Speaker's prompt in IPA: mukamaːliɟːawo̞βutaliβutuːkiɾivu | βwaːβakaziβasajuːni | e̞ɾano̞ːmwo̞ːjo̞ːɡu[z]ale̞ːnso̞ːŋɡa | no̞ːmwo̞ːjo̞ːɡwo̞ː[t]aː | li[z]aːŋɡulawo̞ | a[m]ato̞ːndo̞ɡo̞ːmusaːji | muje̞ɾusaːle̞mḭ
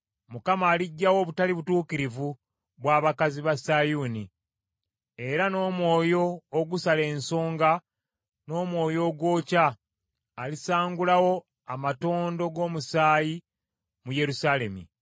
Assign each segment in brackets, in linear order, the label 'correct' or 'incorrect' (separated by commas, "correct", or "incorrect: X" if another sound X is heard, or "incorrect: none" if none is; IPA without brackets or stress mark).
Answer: incorrect: s, incorrect: c, incorrect: s, correct